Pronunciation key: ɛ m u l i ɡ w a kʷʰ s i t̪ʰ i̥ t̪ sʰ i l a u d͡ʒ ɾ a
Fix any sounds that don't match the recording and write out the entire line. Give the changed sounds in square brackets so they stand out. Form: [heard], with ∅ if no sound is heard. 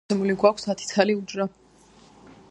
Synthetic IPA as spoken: ɛ m u l i ɡ w a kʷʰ s [a] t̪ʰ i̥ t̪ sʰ [a] l [i] u d͡ʒ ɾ a